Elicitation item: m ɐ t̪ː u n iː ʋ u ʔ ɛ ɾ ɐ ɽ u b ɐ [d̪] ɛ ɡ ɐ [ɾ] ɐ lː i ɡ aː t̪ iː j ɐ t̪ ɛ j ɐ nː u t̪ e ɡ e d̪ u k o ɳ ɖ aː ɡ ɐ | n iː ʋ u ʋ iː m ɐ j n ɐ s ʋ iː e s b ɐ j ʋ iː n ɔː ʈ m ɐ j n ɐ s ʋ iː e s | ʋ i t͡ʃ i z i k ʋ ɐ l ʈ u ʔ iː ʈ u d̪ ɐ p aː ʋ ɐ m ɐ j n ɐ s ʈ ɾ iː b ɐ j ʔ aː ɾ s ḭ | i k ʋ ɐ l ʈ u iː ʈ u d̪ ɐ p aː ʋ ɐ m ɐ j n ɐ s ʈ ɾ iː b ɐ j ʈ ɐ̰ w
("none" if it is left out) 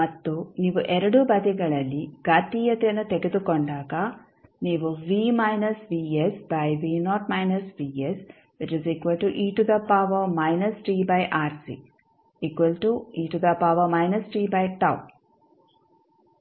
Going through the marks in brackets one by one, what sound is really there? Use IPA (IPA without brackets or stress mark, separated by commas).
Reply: d̪, ɭ